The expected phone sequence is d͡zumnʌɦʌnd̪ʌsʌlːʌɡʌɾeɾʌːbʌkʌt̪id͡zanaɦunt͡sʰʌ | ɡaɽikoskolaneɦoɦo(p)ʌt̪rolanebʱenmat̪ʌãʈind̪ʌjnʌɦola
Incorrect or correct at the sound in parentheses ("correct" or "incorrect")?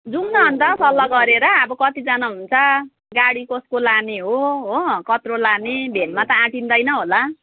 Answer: incorrect